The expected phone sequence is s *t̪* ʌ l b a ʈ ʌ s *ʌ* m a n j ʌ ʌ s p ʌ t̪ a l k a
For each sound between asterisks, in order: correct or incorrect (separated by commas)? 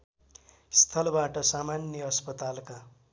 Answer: incorrect, incorrect